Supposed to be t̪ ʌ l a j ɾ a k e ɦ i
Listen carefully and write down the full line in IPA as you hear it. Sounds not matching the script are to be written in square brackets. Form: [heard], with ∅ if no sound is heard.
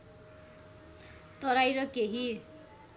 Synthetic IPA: t̪ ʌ [ɾ] a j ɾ [ʌ] k e ɦ i